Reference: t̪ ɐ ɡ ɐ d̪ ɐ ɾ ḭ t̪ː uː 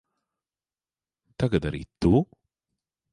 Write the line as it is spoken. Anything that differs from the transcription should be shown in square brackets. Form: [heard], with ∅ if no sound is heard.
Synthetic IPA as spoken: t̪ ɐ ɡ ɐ d̪ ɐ ɾ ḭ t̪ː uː